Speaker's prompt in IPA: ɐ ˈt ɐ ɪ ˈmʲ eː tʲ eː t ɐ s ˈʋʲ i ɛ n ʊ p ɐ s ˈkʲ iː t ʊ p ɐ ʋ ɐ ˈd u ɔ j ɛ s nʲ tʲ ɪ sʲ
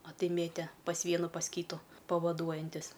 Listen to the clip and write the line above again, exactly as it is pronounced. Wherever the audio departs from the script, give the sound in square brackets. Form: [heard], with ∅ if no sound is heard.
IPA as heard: ɐ ˈt ɐ ɪ ˈmʲ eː tʲ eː [p] ɐ s ˈʋʲ i ɛ n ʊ p ɐ s ˈkʲ iː t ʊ p ɐ ʋ ɐ ˈd u ɔ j ɛ [∅] nʲ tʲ ɪ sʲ